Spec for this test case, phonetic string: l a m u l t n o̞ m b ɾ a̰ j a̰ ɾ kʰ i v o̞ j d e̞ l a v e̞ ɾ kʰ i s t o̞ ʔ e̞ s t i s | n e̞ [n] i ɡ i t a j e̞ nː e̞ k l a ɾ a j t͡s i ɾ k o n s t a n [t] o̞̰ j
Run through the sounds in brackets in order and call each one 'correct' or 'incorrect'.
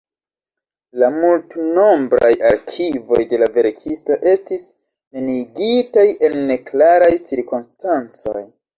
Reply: correct, incorrect: t͡s

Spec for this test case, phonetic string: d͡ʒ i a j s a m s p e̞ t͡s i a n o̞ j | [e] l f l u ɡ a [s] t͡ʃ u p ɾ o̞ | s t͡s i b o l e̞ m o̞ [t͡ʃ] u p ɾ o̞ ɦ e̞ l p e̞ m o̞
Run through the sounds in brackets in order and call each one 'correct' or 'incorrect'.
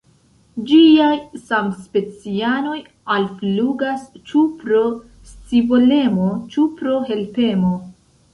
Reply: incorrect: a, correct, correct

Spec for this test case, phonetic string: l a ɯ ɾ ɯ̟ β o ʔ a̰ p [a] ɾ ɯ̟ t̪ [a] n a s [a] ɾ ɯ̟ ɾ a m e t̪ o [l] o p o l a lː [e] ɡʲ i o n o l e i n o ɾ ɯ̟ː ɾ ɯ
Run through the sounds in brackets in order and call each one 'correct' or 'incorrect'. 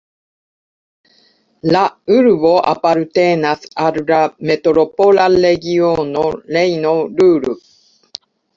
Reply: correct, incorrect: e, correct, incorrect: ɾ, correct

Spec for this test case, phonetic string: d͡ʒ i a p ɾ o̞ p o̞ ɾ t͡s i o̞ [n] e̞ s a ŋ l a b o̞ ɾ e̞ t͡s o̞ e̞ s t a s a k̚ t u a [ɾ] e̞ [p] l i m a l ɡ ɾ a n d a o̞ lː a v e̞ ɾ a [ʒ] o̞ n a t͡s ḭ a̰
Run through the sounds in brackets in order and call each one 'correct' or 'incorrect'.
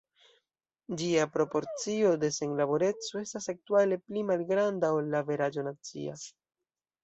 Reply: incorrect: d, incorrect: l, correct, incorrect: d͡ʒ

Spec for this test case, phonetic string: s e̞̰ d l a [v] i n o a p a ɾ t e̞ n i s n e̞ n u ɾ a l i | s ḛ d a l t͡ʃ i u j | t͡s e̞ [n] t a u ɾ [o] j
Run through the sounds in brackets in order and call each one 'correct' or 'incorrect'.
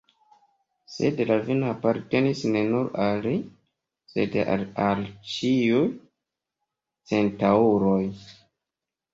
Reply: correct, correct, correct

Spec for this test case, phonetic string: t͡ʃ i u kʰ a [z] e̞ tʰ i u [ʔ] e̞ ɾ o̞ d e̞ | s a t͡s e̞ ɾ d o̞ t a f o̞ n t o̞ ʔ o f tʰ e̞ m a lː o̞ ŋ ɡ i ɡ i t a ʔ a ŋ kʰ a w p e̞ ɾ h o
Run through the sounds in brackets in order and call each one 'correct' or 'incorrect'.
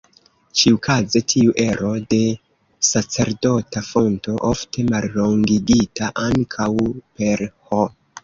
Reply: correct, correct

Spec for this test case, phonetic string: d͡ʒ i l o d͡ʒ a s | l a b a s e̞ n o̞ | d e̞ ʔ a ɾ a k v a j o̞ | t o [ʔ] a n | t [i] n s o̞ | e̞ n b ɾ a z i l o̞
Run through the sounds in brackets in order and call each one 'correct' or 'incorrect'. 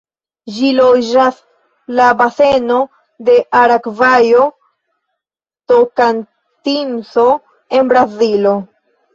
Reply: incorrect: k, correct

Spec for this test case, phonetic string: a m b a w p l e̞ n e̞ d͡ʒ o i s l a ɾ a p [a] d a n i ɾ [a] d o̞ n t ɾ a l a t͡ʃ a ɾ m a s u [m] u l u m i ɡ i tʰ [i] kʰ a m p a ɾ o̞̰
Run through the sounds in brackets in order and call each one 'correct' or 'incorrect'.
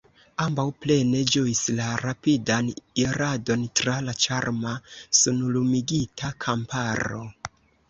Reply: incorrect: i, correct, incorrect: n, incorrect: a

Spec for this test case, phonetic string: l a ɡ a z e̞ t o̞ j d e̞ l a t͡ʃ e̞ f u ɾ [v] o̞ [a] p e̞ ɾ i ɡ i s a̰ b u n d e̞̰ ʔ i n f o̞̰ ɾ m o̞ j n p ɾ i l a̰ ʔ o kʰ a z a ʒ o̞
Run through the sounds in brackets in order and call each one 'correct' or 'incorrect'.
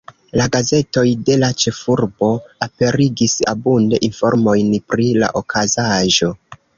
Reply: incorrect: b, correct

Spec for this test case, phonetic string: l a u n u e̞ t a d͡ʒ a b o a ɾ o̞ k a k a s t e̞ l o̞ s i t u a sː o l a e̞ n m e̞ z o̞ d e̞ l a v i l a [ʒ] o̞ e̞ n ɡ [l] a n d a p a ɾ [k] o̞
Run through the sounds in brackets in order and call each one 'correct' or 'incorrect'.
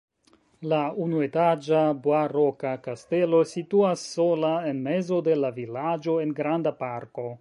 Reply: incorrect: d͡ʒ, incorrect: ɾ, correct

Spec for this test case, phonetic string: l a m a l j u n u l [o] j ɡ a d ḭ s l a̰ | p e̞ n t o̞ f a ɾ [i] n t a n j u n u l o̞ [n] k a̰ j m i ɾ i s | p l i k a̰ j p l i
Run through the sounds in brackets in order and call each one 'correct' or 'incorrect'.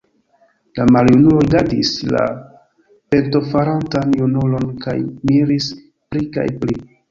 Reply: correct, incorrect: a, correct

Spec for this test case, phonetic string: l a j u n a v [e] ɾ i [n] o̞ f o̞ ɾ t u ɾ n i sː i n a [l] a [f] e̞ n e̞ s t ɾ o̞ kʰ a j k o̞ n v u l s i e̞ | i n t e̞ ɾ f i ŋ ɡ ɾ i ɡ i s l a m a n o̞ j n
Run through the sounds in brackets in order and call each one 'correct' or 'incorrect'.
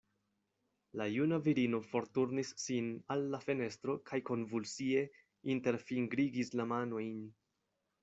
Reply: incorrect: i, correct, incorrect: lː, correct

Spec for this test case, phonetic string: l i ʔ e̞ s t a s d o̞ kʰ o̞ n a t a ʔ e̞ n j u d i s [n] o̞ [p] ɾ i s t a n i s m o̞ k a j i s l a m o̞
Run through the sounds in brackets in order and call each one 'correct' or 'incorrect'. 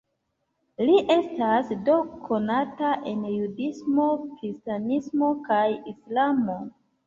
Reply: incorrect: m, incorrect: k

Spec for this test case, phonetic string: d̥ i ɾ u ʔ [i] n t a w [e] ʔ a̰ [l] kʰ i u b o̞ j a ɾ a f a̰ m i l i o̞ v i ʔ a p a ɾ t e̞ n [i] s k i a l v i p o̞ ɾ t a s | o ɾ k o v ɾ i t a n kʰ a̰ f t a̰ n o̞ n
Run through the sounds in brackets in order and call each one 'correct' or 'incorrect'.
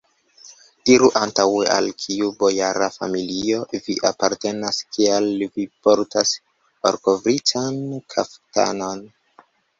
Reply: incorrect: a, correct, correct, incorrect: a

